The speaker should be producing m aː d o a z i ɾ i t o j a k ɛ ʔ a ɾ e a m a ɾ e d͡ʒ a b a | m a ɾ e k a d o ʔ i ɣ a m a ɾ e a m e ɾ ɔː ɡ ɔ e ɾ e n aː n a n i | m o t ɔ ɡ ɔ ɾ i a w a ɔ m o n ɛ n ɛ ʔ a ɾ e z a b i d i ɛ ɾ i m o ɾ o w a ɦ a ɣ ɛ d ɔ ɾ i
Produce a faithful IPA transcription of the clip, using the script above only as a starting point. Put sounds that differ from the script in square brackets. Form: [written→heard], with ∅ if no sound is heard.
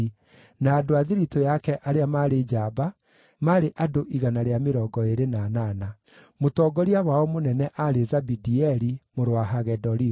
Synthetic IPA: [m→n] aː d o a [z→ð] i ɾ i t o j a k ɛ ʔ a ɾ e a m a ɾ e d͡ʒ a b a | m a ɾ e [k→ʔ] a d o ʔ i ɣ a [m→n] a ɾ e a m e ɾ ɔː ɡ ɔ e ɾ e n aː n a n [i→a] | m o t ɔ ɡ ɔ ɾ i a w a ɔ m o n ɛ n ɛ ʔ a ɾ e z a b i d i ɛ ɾ i m o ɾ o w a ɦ a ɣ ɛ d ɔ ɾ i

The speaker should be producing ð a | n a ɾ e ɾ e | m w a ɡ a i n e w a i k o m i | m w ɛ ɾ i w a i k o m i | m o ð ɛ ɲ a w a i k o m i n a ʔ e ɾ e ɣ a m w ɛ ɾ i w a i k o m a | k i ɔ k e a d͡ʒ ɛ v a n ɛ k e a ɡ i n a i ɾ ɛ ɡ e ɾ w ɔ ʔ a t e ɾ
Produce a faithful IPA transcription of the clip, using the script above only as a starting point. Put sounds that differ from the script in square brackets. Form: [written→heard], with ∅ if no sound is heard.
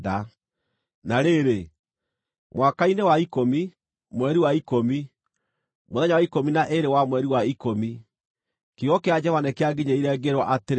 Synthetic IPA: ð a | n a ɾ e ɾ e | m w a [ɡ→k] a i n e w a i k o m i | m w ɛ ɾ i w a i k o m i | m o ð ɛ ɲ a w a i k o m i n a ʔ e ɾ e [ɣ→w] a m w ɛ ɾ i w a i k o m [a→i] | k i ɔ k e a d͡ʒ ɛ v a n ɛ k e a ɡ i [n→ɲ] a i ɾ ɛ ɡ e ɾ w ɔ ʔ a t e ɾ

